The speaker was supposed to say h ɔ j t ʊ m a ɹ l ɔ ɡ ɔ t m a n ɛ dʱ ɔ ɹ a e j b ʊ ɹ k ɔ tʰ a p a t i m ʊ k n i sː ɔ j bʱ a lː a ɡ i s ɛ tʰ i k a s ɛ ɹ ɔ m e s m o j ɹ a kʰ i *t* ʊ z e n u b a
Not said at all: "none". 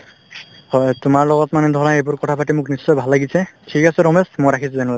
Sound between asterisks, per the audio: s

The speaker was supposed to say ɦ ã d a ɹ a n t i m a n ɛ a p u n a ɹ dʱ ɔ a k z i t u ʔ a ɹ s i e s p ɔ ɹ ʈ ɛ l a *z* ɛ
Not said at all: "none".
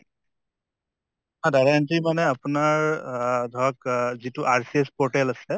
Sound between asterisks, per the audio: s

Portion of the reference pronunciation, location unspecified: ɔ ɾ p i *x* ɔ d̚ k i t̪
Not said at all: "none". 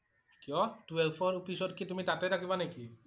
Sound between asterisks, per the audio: s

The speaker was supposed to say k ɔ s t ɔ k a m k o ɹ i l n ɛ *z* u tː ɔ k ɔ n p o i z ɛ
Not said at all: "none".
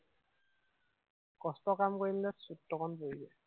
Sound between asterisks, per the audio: s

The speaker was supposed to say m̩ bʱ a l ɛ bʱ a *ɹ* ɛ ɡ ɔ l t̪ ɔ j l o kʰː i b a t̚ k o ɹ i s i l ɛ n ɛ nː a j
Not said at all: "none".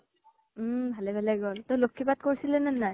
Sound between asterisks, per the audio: l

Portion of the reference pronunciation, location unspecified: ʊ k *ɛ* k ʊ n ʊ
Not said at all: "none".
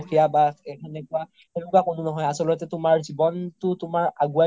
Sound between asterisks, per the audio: a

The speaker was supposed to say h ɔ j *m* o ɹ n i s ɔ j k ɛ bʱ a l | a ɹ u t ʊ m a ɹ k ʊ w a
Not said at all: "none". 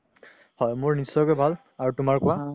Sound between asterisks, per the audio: m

